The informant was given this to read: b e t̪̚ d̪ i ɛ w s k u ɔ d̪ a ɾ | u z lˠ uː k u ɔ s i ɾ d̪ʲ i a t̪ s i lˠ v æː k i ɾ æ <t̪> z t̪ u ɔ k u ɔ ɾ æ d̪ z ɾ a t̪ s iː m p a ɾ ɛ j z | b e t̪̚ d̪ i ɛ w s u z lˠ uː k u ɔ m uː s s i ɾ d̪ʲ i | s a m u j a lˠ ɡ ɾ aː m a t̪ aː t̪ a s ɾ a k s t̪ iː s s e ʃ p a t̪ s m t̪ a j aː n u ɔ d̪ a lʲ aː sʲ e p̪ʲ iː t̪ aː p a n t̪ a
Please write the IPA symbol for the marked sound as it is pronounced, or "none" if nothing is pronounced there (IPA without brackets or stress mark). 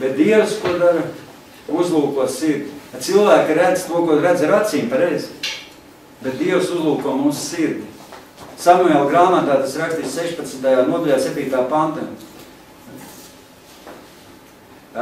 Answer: d̪